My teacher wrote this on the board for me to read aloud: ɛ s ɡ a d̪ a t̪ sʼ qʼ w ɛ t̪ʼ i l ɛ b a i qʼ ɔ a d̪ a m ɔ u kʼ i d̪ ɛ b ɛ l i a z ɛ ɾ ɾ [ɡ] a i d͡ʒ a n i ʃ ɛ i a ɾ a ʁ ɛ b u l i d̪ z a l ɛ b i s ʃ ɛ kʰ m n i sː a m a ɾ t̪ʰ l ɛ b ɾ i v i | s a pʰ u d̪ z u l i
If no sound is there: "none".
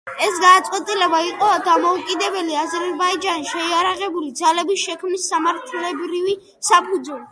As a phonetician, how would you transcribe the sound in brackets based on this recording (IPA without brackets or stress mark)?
b